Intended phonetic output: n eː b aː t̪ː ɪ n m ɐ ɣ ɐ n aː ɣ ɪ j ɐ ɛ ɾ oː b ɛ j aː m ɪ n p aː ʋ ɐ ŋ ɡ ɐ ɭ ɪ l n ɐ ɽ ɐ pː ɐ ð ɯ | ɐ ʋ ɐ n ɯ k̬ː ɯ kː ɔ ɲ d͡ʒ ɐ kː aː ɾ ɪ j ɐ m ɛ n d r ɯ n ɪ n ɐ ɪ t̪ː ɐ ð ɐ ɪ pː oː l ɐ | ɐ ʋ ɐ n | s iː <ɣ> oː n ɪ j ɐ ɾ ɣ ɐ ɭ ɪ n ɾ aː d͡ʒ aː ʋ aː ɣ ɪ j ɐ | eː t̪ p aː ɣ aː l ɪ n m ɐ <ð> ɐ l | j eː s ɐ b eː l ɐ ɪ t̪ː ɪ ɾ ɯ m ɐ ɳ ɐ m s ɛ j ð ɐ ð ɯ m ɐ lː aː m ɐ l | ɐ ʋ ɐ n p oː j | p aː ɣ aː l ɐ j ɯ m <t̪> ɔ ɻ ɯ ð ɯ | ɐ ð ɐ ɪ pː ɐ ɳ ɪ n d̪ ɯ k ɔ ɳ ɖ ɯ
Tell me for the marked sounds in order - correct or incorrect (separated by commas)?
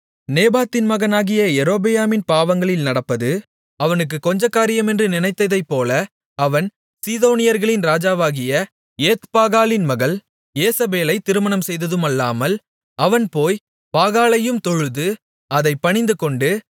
incorrect, incorrect, correct